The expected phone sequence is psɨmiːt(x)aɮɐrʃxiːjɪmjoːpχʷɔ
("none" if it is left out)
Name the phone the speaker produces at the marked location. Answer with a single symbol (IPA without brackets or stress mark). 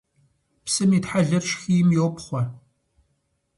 ħ